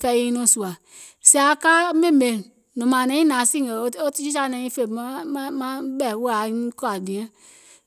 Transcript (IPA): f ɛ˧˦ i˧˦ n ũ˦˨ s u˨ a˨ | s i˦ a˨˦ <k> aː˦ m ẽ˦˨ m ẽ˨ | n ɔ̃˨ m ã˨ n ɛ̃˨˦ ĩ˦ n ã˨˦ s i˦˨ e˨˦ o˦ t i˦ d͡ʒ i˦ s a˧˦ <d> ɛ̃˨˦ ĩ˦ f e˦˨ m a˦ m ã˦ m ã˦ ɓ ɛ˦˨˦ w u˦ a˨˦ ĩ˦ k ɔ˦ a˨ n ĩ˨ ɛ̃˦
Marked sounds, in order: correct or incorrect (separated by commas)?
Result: correct, incorrect